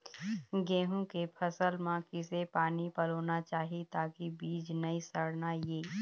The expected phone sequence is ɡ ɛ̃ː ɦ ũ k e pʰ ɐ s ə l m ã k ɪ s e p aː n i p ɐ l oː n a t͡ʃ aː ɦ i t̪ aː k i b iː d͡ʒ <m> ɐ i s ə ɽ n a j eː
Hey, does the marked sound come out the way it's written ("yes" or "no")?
no